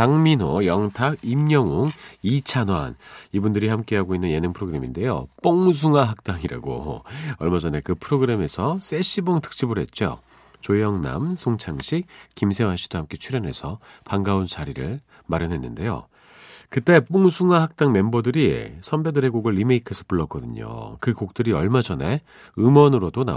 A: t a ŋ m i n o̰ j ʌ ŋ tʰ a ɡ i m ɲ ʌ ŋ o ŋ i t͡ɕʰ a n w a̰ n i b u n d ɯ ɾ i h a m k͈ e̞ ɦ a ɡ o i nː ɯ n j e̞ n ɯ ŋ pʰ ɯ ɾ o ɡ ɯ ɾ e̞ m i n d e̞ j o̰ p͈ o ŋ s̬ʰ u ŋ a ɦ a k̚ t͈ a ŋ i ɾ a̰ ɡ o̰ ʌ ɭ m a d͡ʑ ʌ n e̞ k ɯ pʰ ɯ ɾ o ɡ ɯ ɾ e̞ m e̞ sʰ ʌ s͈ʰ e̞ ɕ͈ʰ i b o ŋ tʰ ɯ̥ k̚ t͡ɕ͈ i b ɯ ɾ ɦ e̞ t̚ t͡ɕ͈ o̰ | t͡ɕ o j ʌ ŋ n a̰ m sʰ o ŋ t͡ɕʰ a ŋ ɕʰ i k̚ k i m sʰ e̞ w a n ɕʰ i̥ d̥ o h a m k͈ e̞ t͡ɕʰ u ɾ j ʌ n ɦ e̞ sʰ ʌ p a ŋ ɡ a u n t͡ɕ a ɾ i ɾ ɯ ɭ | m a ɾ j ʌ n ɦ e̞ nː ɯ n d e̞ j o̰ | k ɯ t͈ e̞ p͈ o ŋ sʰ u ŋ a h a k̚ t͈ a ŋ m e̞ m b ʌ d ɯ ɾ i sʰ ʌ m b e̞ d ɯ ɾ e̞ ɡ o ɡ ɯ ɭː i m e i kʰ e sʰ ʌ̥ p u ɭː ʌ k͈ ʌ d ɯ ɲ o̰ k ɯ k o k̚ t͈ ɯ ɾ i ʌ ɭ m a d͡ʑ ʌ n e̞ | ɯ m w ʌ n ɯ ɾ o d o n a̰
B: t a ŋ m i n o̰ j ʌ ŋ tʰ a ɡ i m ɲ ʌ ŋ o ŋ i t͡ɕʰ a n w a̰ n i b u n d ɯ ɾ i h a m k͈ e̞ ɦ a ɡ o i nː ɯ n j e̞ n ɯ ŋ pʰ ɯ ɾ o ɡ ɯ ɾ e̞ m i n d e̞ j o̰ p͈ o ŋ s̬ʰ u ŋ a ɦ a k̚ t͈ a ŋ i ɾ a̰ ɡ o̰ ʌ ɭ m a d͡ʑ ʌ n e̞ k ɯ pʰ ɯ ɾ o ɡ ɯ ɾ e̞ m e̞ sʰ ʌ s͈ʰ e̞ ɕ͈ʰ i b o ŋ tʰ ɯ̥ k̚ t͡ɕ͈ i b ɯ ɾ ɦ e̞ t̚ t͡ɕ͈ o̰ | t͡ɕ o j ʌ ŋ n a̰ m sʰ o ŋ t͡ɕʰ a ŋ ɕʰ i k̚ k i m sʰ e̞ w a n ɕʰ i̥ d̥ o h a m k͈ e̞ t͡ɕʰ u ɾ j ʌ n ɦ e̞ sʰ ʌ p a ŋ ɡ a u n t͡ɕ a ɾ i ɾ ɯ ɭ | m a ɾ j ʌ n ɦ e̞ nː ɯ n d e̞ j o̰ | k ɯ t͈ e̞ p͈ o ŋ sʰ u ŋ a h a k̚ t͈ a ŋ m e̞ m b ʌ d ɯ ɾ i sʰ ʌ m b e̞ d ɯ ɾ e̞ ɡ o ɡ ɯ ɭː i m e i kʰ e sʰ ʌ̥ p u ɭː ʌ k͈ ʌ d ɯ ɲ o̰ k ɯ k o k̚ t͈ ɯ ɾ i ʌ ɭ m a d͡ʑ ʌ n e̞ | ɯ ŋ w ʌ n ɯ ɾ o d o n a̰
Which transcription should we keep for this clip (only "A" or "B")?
A